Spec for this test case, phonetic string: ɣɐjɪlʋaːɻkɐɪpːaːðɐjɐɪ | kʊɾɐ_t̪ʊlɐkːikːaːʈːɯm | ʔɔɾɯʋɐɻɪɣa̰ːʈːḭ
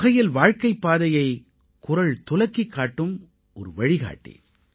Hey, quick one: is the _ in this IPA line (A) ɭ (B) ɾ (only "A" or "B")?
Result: A